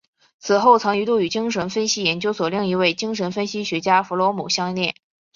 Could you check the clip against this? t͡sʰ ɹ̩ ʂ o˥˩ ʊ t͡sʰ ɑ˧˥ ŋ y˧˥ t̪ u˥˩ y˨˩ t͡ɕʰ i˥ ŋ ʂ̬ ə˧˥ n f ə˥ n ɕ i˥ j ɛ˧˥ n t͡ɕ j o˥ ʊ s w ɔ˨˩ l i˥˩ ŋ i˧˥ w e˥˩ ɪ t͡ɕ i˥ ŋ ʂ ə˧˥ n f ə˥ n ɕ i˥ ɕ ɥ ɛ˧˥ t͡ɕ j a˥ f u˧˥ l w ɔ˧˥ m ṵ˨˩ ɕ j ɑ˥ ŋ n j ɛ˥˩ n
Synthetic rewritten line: t͡sʰ ɹ̩ x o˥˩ ʊ t͡sʰ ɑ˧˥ ŋ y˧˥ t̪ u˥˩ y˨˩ t͡ɕ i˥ ŋ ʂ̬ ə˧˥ n f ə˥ n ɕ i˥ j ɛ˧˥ n t͡ɕ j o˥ ʊ s w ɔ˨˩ l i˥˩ ŋ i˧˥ w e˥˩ ɪ t͡ɕ i˥ ŋ ʂ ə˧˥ n f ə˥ n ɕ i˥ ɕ ɥ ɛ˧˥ t͡ɕ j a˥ f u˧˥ l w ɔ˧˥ m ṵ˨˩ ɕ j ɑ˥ ŋ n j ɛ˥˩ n

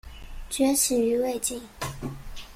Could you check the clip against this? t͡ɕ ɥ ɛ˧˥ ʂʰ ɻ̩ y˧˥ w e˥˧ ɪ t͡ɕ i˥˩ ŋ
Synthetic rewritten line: t͡ɕ ɥ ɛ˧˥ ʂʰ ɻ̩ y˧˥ w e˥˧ ɪ t͡ɕ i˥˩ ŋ

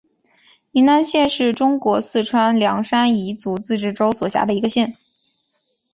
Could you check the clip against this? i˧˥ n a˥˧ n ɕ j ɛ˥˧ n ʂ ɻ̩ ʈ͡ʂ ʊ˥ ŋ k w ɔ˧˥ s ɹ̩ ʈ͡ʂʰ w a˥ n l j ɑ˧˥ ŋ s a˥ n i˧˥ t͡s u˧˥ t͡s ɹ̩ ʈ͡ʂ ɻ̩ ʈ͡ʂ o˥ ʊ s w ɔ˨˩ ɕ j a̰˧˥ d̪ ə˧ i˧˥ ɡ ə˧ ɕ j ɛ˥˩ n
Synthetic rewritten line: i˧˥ n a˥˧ n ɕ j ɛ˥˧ n ʂ ɻ̩ ʈ͡ʂ ʊ˥ ŋ k w ɔ˧˥ s ɹ̩ ʈ͡ʂʰ w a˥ n l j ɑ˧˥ ŋ ʂ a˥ n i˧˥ t͡s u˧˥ t͡s ɹ̩ ʈ͡ʂ ɻ̩ ʈ͡ʂ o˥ ʊ s w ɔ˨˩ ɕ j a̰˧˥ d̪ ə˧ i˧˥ ɡ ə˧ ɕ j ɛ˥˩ n

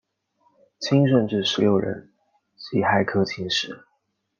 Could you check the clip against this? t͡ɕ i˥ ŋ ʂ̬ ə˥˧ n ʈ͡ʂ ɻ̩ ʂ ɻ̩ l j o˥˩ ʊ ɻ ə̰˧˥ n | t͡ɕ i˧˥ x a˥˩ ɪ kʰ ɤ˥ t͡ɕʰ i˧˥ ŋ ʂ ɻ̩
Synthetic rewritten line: t͡ɕʰ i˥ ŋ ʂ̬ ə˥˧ n ʈ͡ʂ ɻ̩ ʂ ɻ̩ l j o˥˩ ʊ ɻ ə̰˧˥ n | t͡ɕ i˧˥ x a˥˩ ɪ kʰ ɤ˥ t͡ɕʰ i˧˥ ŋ ʂ ɻ̩

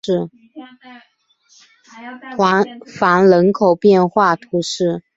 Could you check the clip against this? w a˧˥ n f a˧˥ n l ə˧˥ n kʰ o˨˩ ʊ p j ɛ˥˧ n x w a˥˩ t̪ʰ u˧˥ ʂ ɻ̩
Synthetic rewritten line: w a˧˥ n f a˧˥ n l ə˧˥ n kʰ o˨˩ ʊ p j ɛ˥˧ n x w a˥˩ t̪ʰ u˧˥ ʂ ɻ̩

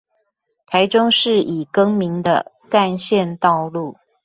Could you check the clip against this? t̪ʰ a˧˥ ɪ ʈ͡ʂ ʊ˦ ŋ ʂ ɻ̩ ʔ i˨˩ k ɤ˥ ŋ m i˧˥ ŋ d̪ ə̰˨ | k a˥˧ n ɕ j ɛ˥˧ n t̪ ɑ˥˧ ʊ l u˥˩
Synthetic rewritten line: t̪ʰ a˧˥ ɪ ʈ͡ʂ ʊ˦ ŋ ʂ ɻ̩ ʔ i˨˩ k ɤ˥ ŋ m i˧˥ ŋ d̪ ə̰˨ | k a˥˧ n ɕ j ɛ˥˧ n t̪ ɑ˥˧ ʊ l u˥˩

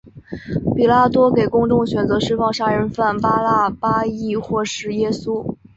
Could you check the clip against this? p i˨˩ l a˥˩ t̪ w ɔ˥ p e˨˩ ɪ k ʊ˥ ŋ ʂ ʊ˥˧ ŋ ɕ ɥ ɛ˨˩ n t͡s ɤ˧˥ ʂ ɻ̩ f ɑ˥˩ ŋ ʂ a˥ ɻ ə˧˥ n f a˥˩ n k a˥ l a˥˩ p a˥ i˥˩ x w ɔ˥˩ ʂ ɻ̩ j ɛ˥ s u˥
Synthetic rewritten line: p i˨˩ l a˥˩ t̪ w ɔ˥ k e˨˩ ɪ k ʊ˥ ŋ ʈ͡ʂ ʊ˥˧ ŋ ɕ ɥ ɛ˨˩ n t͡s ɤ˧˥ ʂ ɻ̩ f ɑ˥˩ ŋ ʂ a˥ ɻ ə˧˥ n f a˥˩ n p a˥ l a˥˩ p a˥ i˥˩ x w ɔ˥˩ ʂ ɻ̩ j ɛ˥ s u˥

